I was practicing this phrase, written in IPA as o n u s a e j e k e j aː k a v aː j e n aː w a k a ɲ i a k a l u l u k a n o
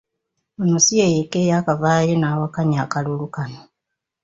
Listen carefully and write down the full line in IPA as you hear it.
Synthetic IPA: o n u s i e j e k e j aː k a v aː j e n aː w a k a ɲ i a k a l u l u k a n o